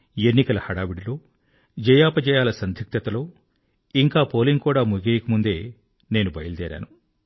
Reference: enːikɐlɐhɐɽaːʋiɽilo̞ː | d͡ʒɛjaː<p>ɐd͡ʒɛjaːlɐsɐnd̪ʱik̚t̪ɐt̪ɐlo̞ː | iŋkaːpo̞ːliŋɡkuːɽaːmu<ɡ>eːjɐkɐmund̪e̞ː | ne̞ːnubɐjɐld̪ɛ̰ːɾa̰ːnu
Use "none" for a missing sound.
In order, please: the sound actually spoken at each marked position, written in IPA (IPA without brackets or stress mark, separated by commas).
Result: p, ɡ